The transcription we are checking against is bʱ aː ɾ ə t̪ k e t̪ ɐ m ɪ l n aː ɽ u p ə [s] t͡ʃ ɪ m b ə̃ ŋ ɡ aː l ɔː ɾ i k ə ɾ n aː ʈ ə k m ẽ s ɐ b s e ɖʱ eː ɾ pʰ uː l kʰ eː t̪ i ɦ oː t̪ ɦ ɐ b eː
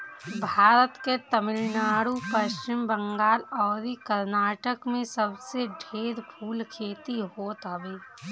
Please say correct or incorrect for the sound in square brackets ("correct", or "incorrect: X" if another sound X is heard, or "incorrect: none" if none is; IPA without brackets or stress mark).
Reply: incorrect: ʃ